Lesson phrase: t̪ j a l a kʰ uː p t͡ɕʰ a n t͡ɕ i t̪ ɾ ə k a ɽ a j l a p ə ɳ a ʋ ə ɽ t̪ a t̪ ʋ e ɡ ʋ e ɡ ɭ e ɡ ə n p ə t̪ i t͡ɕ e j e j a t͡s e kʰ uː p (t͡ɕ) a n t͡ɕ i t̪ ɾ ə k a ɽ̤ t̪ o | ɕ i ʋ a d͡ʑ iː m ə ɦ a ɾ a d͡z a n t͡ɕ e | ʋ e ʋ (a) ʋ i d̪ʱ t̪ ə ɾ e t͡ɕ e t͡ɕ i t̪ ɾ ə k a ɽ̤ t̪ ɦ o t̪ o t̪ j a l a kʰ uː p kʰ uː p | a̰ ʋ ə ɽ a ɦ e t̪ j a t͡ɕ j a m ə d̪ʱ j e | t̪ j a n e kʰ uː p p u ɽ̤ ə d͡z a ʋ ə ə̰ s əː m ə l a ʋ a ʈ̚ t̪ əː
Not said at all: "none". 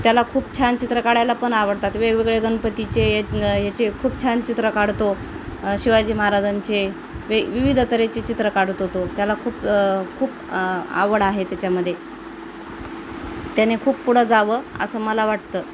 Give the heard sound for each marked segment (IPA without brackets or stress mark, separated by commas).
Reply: t͡ɕʰ, i